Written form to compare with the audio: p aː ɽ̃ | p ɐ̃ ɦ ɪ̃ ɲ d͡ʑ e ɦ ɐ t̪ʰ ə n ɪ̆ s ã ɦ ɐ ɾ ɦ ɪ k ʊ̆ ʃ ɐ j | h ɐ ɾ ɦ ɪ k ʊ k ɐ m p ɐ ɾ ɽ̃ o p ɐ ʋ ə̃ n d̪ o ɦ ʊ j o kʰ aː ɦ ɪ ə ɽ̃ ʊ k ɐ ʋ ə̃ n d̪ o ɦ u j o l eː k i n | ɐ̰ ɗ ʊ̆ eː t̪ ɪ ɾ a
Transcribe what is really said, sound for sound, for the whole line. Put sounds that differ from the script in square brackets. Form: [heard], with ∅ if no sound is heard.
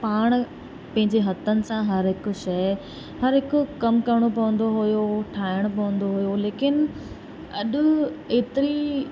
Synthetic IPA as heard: p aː ɽ̃ | p ɐ̃ ɦ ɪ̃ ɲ d͡ʑ e ɦ ɐ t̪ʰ ə n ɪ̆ s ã ɦ ɐ ɾ ɦ ɪ k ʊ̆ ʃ ɐ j | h ɐ ɾ ɦ ɪ k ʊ k ɐ m [k] ɐ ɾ ɽ̃ o p ɐ ʋ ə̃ n d̪ o ɦ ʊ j o [ʈʰ] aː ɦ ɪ ə ɽ̃ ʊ [p] ɐ ʋ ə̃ n d̪ o ɦ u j o l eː k [ɪ] n | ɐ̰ ɗ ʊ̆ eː t̪ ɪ ɾ [i]